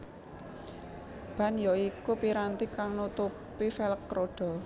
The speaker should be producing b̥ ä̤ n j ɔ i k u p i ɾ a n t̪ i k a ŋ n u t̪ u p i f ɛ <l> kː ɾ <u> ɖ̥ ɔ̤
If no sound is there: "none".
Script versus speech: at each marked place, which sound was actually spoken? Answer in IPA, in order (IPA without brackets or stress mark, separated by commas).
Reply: l, o